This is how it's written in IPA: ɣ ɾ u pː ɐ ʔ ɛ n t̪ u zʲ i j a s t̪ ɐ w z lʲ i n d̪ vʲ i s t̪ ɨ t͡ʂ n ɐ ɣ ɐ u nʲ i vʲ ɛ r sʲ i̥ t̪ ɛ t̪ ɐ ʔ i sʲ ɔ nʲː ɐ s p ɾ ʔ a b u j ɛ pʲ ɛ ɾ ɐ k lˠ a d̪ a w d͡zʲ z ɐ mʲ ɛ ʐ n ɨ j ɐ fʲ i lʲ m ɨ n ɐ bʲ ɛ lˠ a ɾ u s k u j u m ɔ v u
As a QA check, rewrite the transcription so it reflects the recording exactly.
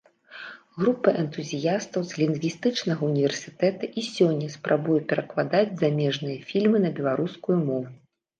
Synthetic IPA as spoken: ɣ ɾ u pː ɐ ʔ ɛ n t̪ u zʲ i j a s t̪ ɐ w z lʲ i n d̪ vʲ i s t̪ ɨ t͡ʂ n ɐ ɣ ɐ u nʲ i vʲ ɛ r sʲ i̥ t̪ ɛ t̪ ɐ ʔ i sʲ ɔ nʲː ɐ s p ɾ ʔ a b u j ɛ pʲ ɛ ɾ ɐ k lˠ a d̪ a d͡zʲ z a mʲ ɛ ʐ n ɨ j ɐ fʲ i lʲ m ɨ n ɐ bʲ ɛ lˠ a ɾ u s k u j u m ɔ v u

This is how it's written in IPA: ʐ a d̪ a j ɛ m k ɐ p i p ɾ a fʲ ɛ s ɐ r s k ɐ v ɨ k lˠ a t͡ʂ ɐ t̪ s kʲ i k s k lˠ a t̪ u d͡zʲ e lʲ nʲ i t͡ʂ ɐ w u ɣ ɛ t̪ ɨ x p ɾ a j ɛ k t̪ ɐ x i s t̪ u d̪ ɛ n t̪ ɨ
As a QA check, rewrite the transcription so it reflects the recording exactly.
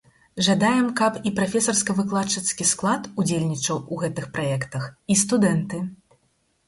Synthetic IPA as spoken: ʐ a d̪ a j ɛ m k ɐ p i p ɾ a fʲ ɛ s ɐ r s k ɐ v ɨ k lˠ a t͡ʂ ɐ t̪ s kʲ i s k lˠ a t̪ u d͡zʲ e lʲ nʲ i t͡ʂ ɐ w u ɣ ɛ t̪ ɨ x p ɾ a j ɛ k t̪ ɐ x i s t̪ u d̪ ɛ n t̪ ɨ

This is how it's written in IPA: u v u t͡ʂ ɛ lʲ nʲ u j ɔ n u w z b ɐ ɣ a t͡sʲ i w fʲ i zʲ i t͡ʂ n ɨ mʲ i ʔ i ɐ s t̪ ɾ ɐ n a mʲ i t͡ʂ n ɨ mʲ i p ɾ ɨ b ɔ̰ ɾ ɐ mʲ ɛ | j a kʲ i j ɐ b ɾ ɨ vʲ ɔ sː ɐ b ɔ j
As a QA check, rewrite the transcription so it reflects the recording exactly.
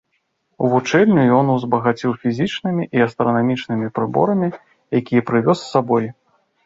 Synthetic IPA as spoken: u v u t͡ʂ ɛ lʲ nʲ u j ɔ n u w z b ɐ ɣ a t͡sʲ i w fʲ i zʲ i t͡ʂ n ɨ mʲ i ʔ i ɐ s t̪ ɾ ɐ n a mʲ i t͡ʂ n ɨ mʲ i p ɾ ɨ b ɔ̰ ɾ ɐ mʲ i | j a kʲ i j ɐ p ɾ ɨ vʲ ɔ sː a b ɔ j

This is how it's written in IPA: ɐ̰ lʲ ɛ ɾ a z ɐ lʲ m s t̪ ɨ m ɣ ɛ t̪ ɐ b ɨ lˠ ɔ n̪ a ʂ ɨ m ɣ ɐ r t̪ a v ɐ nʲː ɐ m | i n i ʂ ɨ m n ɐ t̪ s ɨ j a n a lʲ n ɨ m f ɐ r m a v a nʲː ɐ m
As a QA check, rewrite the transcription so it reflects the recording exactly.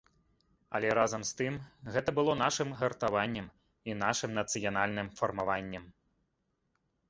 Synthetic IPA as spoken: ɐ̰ lʲ ɛ ɾ a z ɐ m s t̪ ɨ m ɣ ɛ t̪ ɐ b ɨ lˠ ɔ n̪ a ʂ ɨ m ɣ ɐ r t̪ a v a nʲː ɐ m | i n a ʂ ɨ m n ɐ t̪ s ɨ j a n a lʲ n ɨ m f ɐ r m a v a nʲː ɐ m

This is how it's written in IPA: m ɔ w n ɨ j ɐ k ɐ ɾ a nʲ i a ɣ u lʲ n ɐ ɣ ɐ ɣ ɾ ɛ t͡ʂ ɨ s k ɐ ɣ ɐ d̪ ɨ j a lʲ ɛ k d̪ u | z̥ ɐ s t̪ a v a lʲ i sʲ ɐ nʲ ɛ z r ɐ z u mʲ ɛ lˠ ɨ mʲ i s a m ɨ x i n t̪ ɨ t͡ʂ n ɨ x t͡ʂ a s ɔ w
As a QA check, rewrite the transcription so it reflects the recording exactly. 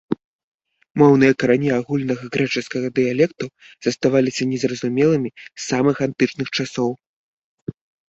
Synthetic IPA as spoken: m ɔ w n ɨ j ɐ k ɐ ɾ a nʲ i a ɣ u lʲ n ɐ ɣ ɐ ɣ ɾ ɛ t͡ʂ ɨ s k ɐ ɣ ɐ d̪ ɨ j a lʲ ɛ k t̪ u | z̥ ɐ s t̪ a v a lʲ i sʲ ɐ nʲ ɛ z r ɐ z u mʲ ɛ lˠ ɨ mʲ i s a m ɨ x a n t̪ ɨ t͡ʂ n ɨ x t͡ʂ a s ɔ w

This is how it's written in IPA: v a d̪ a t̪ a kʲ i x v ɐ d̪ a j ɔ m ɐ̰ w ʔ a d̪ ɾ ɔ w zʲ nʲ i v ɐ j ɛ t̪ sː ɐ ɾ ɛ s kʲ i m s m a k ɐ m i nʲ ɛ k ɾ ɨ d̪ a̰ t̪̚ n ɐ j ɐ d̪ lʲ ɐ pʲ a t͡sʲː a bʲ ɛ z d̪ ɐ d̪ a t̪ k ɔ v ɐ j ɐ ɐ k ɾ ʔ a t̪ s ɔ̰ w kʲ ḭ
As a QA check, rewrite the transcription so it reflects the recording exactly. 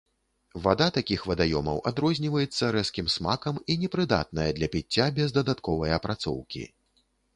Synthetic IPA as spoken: v a d̪ a t̪ a kʲ i x v ɐ d̪ a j ɔ m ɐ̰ w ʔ a d̪ ɾ ɔ zʲ nʲ i v ɐ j ɛ t̪ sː ɐ ɾ ɛ s kʲ i m s m a k ɐ m i nʲ ɛ p ɾ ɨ d̪ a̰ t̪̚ n ɐ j ɐ d̪ lʲ ɐ pʲ i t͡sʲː a bʲ ɛ z d̪ ɐ d̪ a t̪ k ɔ v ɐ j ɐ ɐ p ɾ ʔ a t̪ s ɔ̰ w kʲ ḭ

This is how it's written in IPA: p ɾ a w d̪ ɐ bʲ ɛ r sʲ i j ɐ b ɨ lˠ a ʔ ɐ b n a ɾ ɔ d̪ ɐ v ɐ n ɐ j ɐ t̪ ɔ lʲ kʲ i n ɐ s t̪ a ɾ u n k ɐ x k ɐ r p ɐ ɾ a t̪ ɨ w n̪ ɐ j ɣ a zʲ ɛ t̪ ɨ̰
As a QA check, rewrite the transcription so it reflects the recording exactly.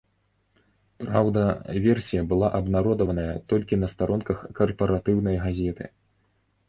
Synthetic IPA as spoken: p ɾ a w d̪ ɐ vʲ ɛ r sʲ i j ɐ b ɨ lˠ a ʔ ɐ b n a ɾ ɔ d̪ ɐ v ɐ n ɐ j ɐ t̪ ɔ lʲ kʲ i n ɐ s t̪ a ɾ ɔ n k ɐ x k ɐ r p ɐ ɾ a t̪ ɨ w n̪ ɐ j ɣ a zʲ ɛ t̪ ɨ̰

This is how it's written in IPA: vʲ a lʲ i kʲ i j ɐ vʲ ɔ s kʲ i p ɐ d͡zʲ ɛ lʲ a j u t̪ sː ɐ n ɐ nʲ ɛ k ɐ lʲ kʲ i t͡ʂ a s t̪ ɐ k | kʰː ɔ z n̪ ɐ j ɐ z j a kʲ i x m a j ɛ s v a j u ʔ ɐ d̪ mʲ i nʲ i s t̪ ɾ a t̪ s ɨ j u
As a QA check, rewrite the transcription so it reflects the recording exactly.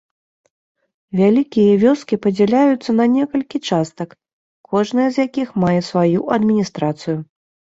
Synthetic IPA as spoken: vʲ a lʲ i kʲ i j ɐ vʲ ɔ s kʲ i p ɐ d͡zʲ ɛ lʲ a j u t̪ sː ɐ n ɐ nʲ ɛ k ɐ lʲ kʲ i t͡ʂ a s t̪ ɐ k | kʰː ɔ ʐ n̪ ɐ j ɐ z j a kʲ i x m a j ɛ s v a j u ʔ ɐ d̪ mʲ i nʲ i s t̪ ɾ a t̪ s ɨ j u

